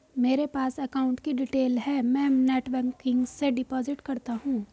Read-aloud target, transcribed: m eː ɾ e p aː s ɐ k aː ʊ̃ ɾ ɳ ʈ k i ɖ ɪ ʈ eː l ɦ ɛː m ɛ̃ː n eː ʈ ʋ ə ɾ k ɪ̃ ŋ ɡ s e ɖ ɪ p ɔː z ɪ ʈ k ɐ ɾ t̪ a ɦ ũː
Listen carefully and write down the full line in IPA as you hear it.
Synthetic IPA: m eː ɾ e p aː s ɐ k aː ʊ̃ ɳ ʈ k i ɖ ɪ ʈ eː l ɦ ɛː m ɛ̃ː n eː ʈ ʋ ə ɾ k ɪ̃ ŋ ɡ s e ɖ ɪ p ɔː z ɪ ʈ k ɐ ɾ t̪ a ɦ ũː